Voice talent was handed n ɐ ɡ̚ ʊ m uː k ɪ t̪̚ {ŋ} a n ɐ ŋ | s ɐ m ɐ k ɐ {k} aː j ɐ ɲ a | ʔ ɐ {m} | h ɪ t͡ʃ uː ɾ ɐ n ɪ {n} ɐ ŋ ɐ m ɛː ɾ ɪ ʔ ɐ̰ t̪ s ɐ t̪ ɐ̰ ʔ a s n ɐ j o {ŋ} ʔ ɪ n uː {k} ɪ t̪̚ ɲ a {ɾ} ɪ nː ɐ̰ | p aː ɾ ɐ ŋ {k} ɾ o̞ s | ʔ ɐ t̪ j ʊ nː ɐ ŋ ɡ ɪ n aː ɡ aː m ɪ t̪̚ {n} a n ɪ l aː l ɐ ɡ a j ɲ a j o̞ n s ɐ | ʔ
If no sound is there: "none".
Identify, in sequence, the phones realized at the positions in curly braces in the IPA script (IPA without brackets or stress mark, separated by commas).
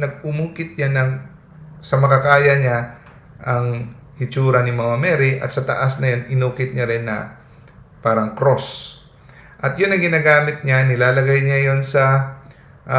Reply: ɲ, k, ŋ, m, n, k, ɾ, k, ɲ